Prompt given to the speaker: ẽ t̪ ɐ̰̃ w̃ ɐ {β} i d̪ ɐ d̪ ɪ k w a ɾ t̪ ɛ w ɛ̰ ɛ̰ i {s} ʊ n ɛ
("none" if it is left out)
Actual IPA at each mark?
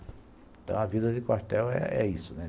v, s

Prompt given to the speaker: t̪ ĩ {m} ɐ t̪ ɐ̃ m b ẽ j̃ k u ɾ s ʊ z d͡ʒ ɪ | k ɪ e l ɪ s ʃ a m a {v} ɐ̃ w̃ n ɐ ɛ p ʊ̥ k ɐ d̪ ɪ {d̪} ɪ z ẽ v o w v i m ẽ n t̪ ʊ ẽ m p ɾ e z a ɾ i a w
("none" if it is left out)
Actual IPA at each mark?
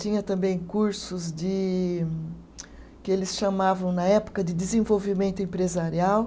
ɲ, v, d̪

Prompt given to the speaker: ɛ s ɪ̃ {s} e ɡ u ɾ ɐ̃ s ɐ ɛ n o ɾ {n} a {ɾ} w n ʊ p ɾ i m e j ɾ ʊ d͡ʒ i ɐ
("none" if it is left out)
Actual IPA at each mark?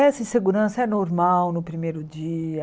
s, m, none

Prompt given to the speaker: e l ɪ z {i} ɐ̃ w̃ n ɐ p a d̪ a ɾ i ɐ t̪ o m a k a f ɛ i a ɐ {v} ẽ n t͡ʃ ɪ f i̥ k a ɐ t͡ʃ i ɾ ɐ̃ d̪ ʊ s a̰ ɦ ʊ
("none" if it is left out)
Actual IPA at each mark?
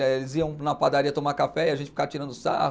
i, ʒ

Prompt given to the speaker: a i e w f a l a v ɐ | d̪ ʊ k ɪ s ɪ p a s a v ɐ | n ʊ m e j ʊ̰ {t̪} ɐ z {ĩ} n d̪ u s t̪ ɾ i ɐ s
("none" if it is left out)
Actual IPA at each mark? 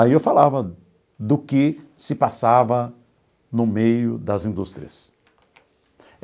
d̪, ĩ

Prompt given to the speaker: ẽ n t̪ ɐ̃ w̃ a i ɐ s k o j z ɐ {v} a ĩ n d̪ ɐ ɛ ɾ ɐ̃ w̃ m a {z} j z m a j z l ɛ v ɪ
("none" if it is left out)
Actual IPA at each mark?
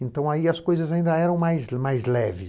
z, none

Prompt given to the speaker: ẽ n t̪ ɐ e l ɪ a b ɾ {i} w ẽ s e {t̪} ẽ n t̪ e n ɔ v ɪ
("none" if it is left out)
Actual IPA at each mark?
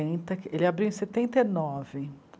i, t̪

